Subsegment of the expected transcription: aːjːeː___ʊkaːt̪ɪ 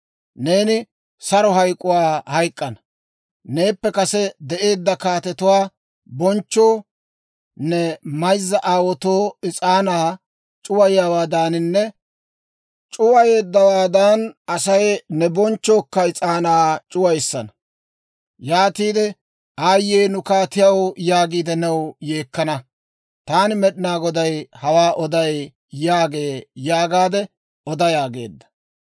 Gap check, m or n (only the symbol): n